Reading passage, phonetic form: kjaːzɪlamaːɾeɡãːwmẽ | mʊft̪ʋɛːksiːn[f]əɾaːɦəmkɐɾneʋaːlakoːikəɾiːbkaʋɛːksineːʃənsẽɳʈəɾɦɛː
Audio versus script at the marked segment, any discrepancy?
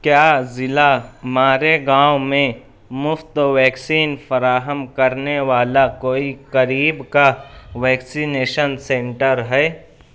no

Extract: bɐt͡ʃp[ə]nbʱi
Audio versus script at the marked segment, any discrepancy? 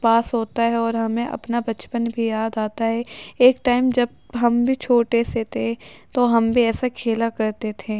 no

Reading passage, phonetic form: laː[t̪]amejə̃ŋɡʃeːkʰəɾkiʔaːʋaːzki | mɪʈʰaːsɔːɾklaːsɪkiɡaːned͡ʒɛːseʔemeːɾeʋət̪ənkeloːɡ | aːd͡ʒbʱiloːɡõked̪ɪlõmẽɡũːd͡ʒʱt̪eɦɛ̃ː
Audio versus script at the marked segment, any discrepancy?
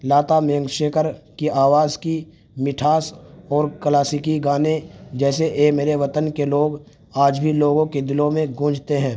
no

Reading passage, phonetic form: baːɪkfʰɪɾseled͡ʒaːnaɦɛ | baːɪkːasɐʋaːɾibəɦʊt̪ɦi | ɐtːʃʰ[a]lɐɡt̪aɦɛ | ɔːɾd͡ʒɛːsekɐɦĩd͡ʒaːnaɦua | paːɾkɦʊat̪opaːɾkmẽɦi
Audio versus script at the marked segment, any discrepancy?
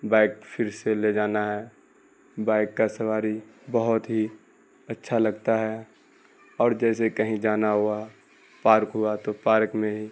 no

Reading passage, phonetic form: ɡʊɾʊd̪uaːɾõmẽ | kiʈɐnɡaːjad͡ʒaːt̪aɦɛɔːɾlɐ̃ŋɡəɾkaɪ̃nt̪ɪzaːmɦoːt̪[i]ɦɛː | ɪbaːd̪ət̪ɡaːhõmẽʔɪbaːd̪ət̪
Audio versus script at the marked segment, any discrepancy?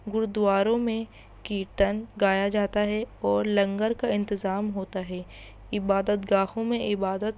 yes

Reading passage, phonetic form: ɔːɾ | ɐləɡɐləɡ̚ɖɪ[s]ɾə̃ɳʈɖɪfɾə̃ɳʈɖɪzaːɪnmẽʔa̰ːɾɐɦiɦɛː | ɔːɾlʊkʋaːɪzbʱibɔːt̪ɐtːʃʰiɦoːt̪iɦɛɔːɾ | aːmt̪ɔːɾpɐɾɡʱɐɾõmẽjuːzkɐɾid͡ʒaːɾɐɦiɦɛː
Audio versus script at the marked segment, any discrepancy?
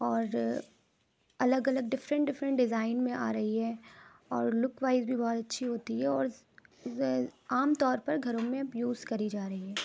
yes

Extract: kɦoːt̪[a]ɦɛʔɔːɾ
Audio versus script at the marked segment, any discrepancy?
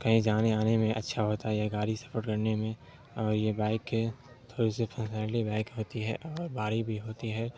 yes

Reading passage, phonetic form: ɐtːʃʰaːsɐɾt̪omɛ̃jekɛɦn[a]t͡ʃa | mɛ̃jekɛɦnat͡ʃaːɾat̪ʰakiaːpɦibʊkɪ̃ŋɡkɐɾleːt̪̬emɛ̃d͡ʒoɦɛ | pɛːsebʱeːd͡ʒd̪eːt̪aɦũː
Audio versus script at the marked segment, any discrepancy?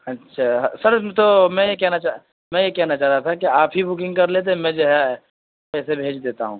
no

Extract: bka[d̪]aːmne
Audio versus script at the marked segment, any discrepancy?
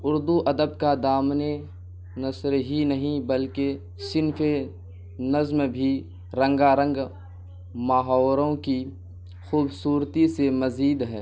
no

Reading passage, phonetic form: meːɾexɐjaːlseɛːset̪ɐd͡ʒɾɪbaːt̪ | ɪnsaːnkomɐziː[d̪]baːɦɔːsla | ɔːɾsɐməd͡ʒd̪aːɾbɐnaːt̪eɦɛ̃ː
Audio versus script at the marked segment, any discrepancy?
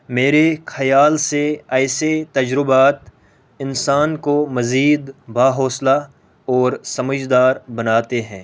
no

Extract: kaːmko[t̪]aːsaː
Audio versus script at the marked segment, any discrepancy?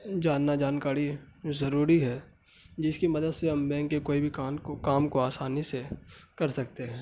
yes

